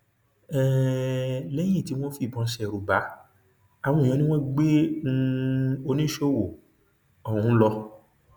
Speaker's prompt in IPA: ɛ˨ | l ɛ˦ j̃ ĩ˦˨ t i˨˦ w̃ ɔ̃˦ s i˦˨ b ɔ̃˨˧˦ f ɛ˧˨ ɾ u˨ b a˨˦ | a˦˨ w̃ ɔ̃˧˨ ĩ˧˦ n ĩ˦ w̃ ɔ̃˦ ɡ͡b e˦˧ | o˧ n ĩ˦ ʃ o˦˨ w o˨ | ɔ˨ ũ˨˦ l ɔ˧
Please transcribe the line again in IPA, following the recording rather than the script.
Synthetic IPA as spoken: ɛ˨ | l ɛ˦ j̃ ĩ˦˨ t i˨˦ w̃ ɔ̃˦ f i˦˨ b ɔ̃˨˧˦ ʃ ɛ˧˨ ɾ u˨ b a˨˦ | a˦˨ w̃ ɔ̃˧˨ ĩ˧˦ n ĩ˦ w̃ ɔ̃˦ ɡ͡b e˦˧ | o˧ n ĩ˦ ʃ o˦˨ w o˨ | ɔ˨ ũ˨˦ l ɔ˧